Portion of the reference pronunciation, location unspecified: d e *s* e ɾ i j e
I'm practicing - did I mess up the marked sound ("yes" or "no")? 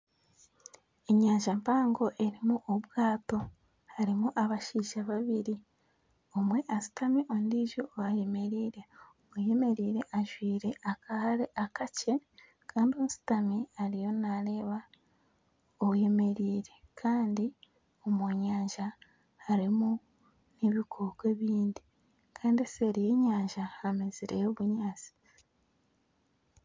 no